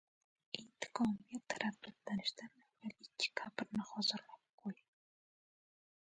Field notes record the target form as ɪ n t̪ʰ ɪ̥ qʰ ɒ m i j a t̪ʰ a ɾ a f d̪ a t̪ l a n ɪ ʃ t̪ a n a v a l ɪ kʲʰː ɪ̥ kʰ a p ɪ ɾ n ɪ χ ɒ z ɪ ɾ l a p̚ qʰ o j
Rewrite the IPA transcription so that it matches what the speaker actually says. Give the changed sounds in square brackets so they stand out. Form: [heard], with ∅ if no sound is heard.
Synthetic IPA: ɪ n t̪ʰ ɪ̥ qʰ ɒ m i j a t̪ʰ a ɾ a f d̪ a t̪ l a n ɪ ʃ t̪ a n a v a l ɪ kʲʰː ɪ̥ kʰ a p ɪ ɾ n ɪ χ ɒ z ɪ ɾ l a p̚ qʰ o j

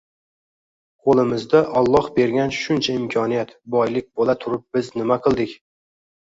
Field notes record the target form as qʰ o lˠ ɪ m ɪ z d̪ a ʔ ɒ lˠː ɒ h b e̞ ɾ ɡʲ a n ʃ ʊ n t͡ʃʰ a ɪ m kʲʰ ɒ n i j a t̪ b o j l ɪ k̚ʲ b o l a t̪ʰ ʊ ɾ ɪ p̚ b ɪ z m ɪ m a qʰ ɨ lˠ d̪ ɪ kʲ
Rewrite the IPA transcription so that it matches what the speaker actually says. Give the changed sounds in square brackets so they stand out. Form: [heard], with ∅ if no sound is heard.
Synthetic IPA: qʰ o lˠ ɪ m ɪ z d̪ a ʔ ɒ lˠː ɒ h b e̞ ɾ ɡʲ a n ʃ ʊ n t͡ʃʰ a ɪ m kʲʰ ɒ n i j a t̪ b [ɒ] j l ɪ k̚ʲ b o l a t̪ʰ ʊ ɾ ɪ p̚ b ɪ z [n] ɪ m a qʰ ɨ lˠ d̪ ɪ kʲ

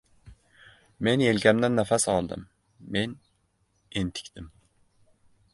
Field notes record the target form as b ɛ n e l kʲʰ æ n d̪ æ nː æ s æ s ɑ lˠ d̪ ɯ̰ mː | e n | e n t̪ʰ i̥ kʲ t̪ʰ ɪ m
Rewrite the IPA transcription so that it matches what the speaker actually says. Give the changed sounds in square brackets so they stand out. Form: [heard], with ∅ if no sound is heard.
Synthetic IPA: [m] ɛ n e l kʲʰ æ [m] d̪ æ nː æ [f] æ s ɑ lˠ d̪ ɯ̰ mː | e n | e n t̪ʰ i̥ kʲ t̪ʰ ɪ m

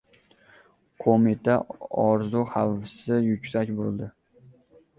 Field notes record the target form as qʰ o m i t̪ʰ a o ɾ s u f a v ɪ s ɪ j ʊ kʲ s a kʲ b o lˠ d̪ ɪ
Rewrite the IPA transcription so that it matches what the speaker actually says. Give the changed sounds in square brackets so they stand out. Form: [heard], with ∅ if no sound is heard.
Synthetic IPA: qʰ o m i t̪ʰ a [ɒ] ɾ [z] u [h] a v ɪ s ɪ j ʊ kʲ s a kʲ b o lˠ d̪ ɪ

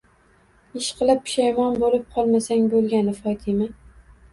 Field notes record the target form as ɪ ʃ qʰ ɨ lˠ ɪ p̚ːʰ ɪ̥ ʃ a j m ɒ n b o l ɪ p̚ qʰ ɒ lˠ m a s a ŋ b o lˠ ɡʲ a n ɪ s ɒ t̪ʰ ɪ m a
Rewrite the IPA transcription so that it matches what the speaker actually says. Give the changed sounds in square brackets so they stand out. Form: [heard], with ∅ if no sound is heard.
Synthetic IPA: ɪ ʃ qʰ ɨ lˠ ɪ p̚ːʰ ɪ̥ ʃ a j m ɒ n b o l ɪ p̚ qʰ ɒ lˠ m a s a ŋ b o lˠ ɡʲ a n ɪ [f] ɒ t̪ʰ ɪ m a

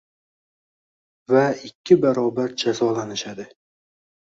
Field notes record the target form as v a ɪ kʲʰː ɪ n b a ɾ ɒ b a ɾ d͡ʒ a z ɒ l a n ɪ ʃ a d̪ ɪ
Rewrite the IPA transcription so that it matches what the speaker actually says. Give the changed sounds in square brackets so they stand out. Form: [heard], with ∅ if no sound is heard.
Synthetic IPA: v a ɪ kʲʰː ɪ [∅] b a ɾ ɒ b a ɾ d͡ʒ a z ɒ l a n ɪ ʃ a d̪ ɪ

